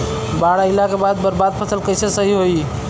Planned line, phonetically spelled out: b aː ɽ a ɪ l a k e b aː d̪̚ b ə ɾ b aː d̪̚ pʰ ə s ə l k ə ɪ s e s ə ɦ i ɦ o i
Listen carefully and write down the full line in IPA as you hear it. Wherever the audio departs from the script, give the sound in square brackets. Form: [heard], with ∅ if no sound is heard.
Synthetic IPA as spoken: b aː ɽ a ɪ l a k e b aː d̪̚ b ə ɾ b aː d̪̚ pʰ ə s ə l k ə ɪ s e s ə ɦ i ɦ o i